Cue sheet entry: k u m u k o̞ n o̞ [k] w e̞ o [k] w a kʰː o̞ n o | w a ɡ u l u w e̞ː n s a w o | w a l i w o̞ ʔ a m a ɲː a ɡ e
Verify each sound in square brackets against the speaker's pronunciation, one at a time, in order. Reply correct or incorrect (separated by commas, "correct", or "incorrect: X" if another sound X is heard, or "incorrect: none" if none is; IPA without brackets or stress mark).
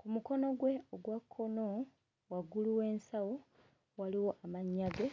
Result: incorrect: ɡ, incorrect: ɡ